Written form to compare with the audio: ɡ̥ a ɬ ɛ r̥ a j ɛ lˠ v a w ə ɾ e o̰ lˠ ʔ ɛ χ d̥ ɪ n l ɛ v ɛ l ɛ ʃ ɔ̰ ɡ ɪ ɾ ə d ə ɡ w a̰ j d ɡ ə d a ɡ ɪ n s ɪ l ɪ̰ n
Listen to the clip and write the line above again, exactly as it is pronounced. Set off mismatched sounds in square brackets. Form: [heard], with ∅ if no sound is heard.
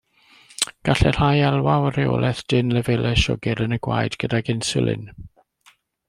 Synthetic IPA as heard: ɡ̥ a ɬ ɛ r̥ a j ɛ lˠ [w] a w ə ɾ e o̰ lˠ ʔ ɛ [θ] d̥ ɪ n l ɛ v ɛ l ɛ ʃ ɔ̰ ɡ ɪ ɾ ə [n] ə ɡ w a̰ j d ɡ ə d a ɡ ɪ n s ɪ l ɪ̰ n